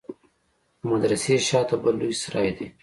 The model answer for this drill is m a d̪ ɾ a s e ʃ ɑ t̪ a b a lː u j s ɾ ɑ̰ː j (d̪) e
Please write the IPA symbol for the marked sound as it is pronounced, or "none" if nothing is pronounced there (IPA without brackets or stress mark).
d̪